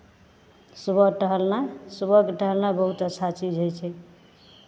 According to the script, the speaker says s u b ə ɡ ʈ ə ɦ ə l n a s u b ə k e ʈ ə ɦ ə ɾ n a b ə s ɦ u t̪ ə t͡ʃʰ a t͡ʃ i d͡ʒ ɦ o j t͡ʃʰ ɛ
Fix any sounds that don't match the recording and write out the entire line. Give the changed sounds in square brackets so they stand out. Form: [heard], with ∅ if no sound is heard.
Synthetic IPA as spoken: s u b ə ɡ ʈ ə ɦ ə l n a s u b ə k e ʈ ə ɦ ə [l] n a b ə [∅] ɦ u t̪ ə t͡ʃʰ a t͡ʃ i d͡ʒ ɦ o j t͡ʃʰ ɛ